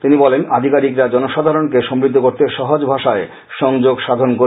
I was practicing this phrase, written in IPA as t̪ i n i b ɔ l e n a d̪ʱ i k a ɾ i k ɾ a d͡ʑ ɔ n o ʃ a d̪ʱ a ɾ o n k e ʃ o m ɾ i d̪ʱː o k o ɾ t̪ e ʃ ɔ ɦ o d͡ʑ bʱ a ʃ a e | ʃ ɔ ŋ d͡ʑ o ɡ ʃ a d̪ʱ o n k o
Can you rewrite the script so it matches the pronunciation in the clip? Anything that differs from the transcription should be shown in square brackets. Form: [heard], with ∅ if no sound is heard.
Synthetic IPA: t̪ i n i b ɔ l e n a d̪ʱ i k a ɾ i k ɾ a d͡ʑ ɔ n o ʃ a d̪ʱ a ɾ o n k e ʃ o m ɾ i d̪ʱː o k o ɾ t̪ e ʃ ɔ ɦ o d͡ʑ bʱ a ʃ a e | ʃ ɔ ŋ d͡ʑ o ɡ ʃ a d̪ʱ o n k o

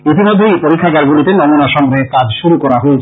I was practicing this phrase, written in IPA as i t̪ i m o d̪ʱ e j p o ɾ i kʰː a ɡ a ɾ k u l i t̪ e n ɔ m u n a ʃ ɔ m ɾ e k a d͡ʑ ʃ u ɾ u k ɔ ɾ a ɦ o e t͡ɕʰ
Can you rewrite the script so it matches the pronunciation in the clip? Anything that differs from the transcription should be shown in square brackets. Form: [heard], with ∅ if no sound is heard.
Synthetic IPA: i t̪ i m o [d̪ʱː] e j p o ɾ i kʰː a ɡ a ɾ [ɡ] u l i t̪ e n ɔ m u n a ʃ ɔ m ɾ e k a d͡ʑ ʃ u ɾ u k ɔ ɾ a ɦ o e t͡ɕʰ

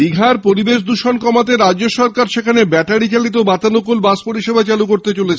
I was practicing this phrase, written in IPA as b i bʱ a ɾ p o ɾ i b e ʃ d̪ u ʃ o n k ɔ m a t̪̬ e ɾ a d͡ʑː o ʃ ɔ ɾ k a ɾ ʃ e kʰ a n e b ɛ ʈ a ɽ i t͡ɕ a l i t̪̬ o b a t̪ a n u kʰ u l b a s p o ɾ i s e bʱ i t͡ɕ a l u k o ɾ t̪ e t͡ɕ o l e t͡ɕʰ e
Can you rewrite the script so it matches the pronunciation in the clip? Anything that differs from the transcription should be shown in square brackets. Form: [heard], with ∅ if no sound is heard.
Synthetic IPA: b i [ɡʱ] a ɾ p o ɾ i b e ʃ d̪ u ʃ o n k ɔ m a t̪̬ e ɾ a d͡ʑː o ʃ ɔ ɾ k a ɾ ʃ e kʰ a n e b ɛ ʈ a ɽ i t͡ɕ a l i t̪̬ o b a t̪ a n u [k] u l b a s p o ɾ i [ʃ] e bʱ [a] t͡ɕ a l u k o ɾ t̪ e t͡ɕ o l e t͡ɕʰ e

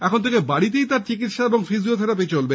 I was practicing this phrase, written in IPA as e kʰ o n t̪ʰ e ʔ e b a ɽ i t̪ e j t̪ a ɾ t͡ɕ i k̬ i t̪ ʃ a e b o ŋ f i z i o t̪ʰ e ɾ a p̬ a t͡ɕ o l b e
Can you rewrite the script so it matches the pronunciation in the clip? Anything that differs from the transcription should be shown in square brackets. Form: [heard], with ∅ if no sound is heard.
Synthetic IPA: [ɛ] kʰ o n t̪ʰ e [k] e b a ɽ i t̪ e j t̪ a ɾ t͡ɕ i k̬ i t̪ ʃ a e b o ŋ f i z i o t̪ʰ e ɾ a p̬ [e] t͡ɕ o l b e

